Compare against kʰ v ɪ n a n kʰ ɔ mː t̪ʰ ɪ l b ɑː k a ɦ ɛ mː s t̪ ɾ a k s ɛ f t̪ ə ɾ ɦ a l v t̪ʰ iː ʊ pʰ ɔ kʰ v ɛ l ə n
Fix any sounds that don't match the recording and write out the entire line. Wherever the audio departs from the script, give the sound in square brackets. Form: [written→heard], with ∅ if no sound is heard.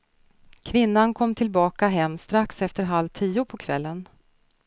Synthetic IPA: kʰ v ɪ [n→nː] a n kʰ ɔ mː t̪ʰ ɪ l b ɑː k a ɦ ɛ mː s t̪ ɾ a k s ɛ f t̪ ə ɾ ɦ a l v t̪ʰ iː ʊ pʰ ɔ kʰ v ɛ [l→lː] ə n